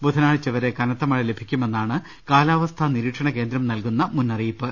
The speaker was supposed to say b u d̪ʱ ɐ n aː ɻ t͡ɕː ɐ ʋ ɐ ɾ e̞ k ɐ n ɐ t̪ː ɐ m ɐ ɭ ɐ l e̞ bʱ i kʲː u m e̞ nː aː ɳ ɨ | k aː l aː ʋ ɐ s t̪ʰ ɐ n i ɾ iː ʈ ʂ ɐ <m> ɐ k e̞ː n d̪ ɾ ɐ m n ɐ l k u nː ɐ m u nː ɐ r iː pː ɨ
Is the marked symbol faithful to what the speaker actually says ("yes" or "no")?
no